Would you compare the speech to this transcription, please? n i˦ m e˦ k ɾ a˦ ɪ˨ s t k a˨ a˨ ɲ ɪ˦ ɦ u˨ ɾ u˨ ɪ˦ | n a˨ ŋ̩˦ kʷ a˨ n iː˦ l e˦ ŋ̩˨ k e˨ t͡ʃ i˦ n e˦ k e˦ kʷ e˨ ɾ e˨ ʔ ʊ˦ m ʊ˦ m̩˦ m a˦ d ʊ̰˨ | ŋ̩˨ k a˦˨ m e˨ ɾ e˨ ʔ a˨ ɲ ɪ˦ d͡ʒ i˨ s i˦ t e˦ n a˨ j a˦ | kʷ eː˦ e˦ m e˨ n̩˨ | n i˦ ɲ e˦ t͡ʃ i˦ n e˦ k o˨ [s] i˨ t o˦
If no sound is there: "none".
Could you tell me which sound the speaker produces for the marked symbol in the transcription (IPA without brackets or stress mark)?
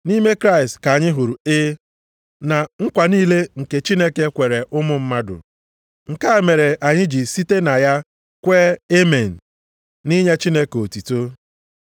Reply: t